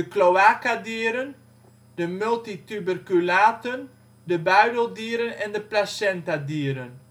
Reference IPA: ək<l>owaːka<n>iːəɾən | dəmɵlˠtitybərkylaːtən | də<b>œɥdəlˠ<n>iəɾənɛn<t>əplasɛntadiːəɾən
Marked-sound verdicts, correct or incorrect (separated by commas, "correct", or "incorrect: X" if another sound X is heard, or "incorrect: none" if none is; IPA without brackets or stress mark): correct, incorrect: d, correct, incorrect: d, incorrect: d